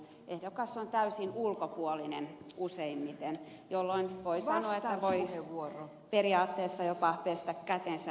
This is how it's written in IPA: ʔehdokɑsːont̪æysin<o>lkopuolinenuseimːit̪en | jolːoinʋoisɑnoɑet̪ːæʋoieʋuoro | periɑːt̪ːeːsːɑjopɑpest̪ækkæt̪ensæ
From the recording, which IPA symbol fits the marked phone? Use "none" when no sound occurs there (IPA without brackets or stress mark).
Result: u